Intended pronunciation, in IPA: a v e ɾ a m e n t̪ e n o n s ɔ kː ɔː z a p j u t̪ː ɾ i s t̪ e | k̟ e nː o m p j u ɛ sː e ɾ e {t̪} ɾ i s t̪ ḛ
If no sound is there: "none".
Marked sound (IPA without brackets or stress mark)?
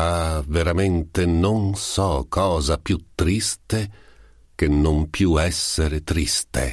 t̪